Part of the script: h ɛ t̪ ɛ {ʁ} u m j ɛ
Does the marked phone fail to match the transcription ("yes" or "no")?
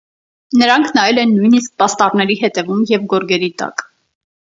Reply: yes